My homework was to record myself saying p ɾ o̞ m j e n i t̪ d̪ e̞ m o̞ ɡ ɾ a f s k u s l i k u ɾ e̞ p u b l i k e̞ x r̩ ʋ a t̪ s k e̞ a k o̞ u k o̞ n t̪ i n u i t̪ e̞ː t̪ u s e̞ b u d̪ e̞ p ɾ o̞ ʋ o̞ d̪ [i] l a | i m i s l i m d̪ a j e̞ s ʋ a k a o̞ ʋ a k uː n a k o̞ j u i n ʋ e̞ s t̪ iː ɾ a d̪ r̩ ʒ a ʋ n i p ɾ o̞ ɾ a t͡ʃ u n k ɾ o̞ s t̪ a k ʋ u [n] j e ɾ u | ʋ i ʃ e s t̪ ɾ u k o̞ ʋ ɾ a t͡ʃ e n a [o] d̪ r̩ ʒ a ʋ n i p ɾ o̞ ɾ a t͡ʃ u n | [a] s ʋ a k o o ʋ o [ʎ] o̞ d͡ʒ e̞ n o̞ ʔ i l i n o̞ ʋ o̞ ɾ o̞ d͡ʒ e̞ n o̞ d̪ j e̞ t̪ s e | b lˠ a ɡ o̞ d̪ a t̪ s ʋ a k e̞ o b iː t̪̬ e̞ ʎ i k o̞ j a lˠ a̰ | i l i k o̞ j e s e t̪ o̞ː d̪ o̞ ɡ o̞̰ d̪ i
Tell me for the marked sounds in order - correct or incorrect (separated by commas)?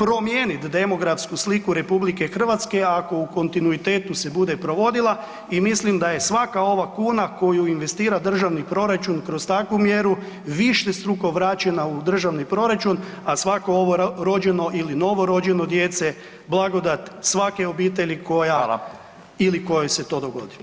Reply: correct, incorrect, incorrect, correct, incorrect